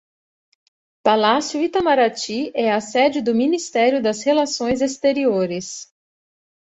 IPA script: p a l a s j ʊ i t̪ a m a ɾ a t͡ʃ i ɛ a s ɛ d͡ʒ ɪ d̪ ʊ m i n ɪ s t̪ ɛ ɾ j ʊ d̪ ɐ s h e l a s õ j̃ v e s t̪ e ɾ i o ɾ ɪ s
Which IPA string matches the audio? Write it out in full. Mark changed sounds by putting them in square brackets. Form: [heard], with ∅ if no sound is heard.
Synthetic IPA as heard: p a l a s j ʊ i t̪ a m a ɾ a t͡ʃ i ɛ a s ɛ d͡ʒ ɪ d̪ ʊ m i n [i] s t̪ ɛ ɾ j ʊ d̪ ɐ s h e l a s õ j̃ [z] e s t̪ e ɾ i o ɾ ɪ s